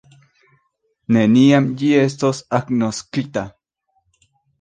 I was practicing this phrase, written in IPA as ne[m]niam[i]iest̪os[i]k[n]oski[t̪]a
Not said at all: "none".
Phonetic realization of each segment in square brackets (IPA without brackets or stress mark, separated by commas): none, j, a, n, t̪